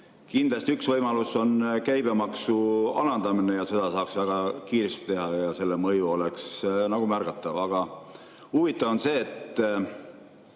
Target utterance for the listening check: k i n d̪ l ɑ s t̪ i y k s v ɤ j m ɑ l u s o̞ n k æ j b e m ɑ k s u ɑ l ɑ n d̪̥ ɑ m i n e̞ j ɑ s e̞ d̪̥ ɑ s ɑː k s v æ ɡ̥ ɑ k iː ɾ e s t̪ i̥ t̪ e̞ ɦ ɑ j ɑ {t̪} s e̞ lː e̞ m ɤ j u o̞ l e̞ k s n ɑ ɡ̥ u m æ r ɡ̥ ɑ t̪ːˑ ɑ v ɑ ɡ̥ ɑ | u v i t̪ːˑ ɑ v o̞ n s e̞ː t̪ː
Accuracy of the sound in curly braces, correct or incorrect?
incorrect